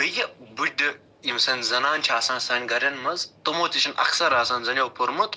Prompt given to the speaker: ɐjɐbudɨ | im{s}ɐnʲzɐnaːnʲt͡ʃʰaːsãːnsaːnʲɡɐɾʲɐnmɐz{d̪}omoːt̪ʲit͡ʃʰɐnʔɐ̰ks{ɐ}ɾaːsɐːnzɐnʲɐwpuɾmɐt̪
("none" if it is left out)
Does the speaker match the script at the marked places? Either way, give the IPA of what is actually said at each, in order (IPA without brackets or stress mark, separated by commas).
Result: s, t̪, ɐ